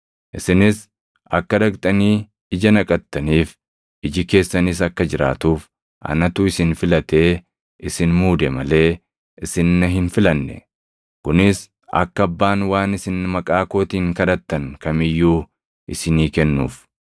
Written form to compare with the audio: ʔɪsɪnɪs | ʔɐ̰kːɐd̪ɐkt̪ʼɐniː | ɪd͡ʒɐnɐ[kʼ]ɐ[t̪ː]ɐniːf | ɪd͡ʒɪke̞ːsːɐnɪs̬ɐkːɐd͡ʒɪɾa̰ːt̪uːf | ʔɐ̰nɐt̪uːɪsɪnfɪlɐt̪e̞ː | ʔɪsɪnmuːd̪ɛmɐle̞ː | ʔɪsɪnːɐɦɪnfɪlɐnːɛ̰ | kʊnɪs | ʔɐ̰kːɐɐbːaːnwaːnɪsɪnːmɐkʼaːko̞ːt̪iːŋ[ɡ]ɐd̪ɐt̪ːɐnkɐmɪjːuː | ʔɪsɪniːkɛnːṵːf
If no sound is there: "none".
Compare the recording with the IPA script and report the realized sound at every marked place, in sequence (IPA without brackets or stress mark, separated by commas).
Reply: kʼ, t̪ː, k